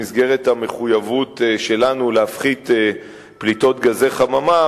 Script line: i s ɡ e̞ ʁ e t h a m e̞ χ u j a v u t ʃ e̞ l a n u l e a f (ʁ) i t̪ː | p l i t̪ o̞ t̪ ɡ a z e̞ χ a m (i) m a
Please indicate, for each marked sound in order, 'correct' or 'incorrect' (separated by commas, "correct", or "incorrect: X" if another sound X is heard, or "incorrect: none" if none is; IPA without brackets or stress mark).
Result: incorrect: χ, incorrect: a